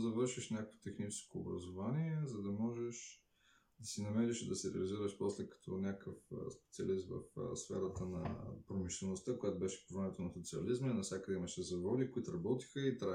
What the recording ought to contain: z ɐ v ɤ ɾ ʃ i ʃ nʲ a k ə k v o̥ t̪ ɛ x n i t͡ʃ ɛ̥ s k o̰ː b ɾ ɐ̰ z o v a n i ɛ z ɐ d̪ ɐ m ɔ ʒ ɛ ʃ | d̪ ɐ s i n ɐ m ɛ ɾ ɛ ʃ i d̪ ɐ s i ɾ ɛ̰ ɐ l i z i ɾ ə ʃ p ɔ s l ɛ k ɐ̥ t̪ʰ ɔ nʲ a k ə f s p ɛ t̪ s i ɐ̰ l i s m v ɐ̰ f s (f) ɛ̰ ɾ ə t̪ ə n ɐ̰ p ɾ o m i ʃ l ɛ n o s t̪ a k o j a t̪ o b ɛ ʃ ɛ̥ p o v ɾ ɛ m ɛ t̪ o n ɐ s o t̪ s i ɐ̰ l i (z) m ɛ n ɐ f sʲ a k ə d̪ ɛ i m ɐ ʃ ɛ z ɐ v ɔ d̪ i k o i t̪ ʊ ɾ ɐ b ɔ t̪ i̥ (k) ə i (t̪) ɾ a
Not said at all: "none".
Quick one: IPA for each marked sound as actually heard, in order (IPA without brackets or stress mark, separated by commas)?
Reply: f, z, x, t̪